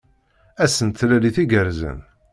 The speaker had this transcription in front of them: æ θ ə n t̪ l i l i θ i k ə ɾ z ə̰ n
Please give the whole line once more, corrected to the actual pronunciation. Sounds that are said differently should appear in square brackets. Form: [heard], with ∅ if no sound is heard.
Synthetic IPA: æ [s] ə n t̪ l [æ] l i θ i [ɡ] ə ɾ z ə̰ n